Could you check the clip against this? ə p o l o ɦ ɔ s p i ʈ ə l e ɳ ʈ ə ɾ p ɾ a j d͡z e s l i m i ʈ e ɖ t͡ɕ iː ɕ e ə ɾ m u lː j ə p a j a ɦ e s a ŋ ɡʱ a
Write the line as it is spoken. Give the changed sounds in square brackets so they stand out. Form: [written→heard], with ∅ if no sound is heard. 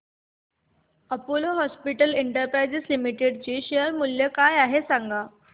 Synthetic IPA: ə p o l o ɦ ɔ s p i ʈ ə l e ɳ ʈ ə ɾ p ɾ a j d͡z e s l i m i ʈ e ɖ t͡ɕ iː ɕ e ə ɾ m u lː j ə [p→k] a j a ɦ e s a ŋ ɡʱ a